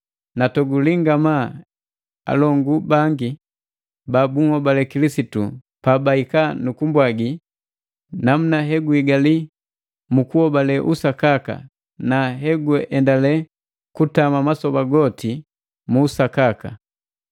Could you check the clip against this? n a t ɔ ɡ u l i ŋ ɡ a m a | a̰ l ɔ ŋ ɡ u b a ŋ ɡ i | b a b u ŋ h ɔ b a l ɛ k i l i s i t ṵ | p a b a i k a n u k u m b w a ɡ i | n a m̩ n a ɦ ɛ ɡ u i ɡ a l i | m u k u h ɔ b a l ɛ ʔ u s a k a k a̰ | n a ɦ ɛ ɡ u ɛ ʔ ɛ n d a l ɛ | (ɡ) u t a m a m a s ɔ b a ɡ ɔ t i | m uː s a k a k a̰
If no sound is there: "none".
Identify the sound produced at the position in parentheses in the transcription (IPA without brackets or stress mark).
k